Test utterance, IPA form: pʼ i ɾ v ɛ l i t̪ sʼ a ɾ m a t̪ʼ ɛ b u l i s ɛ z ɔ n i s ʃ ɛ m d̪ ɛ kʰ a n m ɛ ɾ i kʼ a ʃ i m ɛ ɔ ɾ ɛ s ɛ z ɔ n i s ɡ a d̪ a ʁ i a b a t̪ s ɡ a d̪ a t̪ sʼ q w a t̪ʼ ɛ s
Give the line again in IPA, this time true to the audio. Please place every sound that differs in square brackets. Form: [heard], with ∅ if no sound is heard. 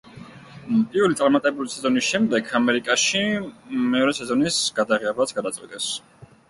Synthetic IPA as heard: pʼ i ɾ v ɛ l i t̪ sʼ a ɾ m a t̪ʼ ɛ b u l i s ɛ z ɔ n i s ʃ ɛ m d̪ ɛ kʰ a [∅] m ɛ ɾ i kʼ a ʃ i m ɛ ɔ ɾ ɛ s ɛ z ɔ n i s ɡ a d̪ a ʁ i a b a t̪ s ɡ a d̪ a t̪ sʼ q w [i] t̪ʼ ɛ s